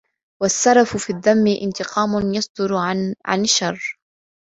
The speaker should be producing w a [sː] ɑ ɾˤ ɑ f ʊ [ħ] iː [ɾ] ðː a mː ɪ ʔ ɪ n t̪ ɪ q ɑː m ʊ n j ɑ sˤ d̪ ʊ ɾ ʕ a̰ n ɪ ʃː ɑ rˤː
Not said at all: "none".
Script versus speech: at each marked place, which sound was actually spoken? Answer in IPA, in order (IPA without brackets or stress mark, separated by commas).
sː, f, none